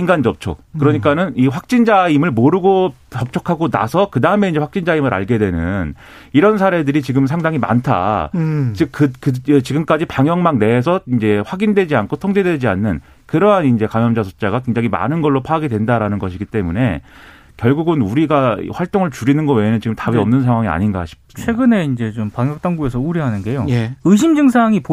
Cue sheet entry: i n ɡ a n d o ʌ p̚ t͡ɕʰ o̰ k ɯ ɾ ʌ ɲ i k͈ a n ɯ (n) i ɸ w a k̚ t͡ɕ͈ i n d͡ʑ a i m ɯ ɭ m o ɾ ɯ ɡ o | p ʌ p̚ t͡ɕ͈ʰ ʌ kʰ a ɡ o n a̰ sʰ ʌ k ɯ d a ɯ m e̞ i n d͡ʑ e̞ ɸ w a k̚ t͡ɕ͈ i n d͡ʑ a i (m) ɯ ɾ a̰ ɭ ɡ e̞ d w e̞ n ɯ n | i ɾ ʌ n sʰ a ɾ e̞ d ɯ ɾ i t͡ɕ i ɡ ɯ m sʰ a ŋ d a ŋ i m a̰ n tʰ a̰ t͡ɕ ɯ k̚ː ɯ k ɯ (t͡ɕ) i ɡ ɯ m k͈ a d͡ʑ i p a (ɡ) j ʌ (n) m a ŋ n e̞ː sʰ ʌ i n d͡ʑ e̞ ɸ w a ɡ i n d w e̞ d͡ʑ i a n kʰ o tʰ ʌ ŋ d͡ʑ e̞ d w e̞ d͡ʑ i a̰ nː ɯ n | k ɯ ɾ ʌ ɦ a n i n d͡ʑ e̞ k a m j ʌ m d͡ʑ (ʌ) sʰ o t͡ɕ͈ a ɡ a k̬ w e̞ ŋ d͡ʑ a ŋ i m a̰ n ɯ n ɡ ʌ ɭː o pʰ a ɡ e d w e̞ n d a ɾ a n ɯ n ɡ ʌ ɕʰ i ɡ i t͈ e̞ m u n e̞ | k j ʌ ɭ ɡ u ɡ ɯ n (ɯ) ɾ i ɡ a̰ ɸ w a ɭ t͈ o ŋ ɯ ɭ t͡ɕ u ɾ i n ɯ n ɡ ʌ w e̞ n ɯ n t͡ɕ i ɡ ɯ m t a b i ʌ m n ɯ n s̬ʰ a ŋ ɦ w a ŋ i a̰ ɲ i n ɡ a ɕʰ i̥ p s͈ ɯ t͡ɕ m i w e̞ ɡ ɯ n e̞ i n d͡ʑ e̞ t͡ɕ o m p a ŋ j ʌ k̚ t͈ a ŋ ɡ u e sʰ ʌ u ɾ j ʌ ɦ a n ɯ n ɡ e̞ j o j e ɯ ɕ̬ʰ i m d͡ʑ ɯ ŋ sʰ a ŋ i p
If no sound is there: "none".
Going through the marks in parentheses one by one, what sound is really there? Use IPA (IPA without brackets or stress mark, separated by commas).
n, m, t͡ɕ, ŋ, ŋ, a, u